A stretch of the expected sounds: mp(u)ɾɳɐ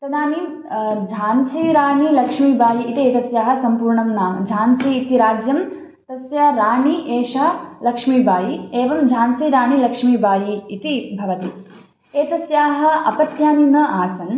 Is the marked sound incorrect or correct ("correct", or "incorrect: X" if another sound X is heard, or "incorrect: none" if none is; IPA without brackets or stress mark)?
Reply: incorrect: uː